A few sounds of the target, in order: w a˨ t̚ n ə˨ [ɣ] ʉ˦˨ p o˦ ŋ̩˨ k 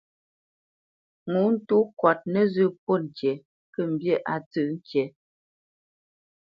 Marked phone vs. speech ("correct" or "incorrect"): incorrect